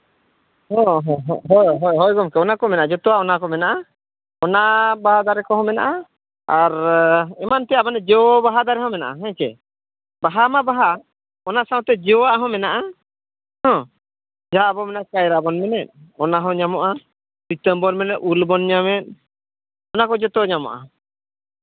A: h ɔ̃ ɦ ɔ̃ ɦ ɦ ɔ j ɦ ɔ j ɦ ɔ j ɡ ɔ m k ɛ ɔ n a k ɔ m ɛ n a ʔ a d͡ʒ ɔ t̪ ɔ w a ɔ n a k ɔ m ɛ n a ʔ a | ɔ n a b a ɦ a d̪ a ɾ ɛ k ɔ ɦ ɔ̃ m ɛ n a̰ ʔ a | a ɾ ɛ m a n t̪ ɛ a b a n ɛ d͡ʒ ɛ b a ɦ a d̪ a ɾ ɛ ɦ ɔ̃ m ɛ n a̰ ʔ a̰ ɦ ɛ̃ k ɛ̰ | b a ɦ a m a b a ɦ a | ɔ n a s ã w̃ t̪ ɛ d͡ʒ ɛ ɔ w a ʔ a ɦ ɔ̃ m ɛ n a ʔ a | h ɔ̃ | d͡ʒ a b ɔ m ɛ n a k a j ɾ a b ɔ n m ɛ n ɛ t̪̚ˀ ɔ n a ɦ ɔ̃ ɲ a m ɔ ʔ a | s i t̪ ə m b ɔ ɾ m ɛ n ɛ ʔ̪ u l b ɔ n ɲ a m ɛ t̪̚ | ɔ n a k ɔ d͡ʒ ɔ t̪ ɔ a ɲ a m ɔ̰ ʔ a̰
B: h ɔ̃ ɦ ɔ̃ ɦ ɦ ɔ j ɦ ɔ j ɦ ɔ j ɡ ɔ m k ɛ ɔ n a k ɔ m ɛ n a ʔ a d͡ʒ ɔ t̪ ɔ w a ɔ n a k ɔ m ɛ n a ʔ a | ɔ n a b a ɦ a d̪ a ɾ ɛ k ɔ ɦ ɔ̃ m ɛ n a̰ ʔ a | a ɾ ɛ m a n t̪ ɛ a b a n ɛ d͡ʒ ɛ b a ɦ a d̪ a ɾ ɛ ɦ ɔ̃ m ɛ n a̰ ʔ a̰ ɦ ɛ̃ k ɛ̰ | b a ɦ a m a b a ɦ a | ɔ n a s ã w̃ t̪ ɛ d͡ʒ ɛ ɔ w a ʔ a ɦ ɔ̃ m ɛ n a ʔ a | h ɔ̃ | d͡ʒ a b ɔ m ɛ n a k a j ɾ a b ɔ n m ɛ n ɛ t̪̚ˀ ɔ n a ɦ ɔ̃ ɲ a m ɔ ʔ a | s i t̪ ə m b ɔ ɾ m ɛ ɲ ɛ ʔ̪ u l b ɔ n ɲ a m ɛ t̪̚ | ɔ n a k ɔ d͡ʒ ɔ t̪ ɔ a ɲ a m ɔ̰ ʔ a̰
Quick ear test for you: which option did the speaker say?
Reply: A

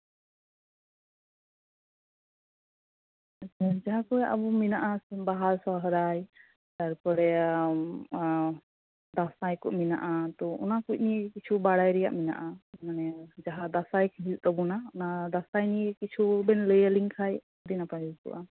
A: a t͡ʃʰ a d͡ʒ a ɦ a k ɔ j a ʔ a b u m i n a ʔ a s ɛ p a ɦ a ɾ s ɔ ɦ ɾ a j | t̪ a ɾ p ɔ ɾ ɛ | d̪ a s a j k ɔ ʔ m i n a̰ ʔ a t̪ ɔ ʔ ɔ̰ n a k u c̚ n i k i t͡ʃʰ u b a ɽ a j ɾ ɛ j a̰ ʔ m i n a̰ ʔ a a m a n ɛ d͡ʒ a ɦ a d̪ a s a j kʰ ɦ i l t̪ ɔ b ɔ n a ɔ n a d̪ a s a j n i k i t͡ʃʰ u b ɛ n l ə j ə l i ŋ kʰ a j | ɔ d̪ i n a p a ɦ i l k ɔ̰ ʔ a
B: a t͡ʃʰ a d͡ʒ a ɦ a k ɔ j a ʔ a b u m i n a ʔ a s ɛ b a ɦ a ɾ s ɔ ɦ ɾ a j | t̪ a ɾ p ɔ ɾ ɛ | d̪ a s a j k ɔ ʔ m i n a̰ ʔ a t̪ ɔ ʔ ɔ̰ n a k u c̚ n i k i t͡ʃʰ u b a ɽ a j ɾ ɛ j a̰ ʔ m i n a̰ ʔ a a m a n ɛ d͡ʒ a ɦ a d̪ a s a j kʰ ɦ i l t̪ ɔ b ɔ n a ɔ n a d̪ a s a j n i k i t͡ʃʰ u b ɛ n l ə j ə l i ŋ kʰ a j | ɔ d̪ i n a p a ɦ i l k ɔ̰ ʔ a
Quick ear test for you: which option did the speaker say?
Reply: B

